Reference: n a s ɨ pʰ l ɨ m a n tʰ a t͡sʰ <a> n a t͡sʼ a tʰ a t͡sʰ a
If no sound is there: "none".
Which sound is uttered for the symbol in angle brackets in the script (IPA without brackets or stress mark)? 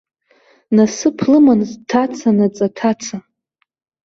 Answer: a